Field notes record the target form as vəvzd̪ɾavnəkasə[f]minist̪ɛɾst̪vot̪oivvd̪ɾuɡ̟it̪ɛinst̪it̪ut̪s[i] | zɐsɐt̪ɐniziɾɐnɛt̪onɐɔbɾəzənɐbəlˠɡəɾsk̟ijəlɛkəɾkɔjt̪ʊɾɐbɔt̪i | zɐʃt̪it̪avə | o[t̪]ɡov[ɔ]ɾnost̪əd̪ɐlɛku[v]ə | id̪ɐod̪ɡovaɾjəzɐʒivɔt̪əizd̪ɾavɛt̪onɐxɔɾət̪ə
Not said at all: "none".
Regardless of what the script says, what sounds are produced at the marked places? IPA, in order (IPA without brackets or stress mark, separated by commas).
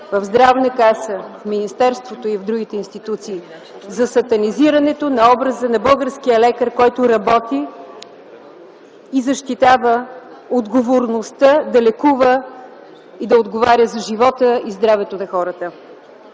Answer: f, iː, d̪, o, v